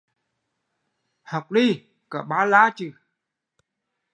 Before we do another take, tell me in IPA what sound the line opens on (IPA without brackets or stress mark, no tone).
h